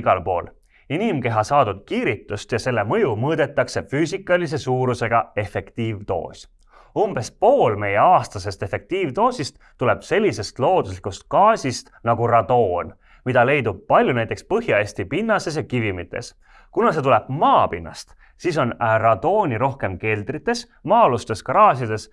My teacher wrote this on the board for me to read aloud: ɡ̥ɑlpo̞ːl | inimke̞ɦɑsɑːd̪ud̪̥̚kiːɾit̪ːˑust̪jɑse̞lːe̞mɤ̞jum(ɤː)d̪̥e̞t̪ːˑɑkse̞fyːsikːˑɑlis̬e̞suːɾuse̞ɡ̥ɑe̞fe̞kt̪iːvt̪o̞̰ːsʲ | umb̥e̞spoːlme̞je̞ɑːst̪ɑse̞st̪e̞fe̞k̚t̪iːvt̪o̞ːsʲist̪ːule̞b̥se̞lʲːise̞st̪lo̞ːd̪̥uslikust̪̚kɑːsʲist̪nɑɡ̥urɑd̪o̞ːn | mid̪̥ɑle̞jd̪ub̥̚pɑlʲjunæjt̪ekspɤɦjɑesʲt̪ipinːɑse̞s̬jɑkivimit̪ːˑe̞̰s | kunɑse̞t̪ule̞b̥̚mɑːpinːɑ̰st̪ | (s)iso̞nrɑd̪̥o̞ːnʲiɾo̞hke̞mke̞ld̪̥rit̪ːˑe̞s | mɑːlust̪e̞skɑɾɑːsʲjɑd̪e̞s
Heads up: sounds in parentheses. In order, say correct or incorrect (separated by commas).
correct, correct